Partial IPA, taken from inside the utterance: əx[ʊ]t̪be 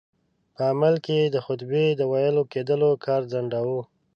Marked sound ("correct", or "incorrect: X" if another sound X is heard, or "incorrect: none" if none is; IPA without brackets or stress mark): correct